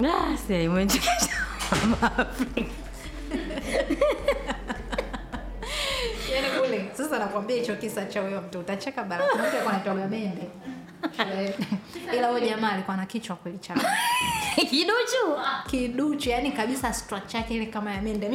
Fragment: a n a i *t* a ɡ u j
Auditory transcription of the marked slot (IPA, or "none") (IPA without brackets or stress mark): t